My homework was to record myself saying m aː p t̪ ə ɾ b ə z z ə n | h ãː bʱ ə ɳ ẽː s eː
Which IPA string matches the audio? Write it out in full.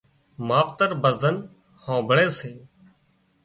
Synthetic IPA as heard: m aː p t̪ ə ɾ b ə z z ə n | h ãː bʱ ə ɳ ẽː s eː